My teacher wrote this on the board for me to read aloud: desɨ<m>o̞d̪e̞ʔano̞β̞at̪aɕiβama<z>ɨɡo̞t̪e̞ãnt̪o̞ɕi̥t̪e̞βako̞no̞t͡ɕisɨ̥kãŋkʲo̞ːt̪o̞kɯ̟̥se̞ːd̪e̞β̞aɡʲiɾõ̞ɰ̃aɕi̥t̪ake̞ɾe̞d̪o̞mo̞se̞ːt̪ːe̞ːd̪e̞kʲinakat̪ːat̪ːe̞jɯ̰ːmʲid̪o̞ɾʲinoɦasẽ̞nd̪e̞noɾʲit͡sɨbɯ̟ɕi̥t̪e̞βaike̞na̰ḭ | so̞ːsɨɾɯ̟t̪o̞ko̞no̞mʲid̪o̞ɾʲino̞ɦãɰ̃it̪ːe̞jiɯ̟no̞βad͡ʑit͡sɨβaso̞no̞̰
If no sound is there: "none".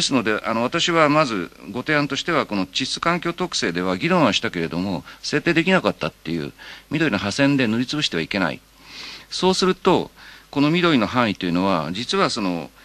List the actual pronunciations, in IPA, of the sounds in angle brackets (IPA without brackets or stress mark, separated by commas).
n, z